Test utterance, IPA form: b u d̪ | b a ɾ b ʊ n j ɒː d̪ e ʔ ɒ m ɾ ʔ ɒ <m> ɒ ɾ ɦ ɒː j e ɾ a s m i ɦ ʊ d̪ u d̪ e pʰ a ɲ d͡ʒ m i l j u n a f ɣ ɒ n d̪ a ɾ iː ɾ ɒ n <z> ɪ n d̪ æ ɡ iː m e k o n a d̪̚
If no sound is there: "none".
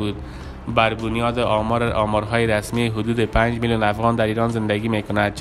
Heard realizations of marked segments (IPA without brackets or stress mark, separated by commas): m, z